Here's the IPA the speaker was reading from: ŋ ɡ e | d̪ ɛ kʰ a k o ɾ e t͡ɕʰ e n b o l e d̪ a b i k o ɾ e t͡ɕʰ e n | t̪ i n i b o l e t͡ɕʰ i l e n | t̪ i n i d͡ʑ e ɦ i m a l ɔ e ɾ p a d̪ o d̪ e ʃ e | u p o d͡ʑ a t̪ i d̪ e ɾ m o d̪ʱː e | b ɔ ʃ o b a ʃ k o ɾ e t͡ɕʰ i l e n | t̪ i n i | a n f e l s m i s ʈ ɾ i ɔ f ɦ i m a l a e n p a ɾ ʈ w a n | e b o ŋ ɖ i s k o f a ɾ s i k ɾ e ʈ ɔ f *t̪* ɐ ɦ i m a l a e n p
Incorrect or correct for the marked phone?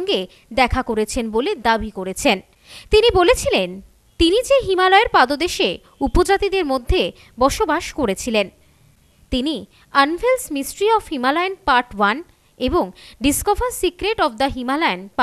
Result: incorrect: d̪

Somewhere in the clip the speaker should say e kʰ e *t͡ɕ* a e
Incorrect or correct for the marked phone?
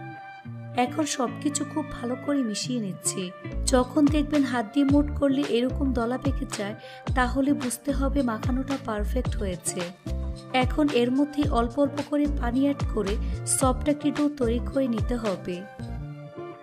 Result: correct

